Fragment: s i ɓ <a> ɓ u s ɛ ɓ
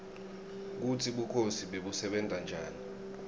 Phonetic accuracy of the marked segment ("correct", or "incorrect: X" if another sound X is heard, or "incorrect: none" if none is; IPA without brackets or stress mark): incorrect: e